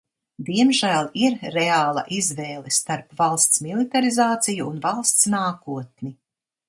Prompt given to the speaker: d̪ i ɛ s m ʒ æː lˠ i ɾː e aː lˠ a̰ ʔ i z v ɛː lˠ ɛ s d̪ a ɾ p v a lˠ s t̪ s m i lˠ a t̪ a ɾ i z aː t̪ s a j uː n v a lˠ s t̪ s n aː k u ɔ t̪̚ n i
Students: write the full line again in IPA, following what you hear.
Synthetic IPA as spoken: d̪ i ɛ m ʒ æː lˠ i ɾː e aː lˠ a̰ ʔ i z v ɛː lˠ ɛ s t̪ a ɾ p v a lˠ s t̪ s m i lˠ i t̪ a ɾ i z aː t̪ s i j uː n v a lˠ s t̪ s n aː k u ɔ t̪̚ n i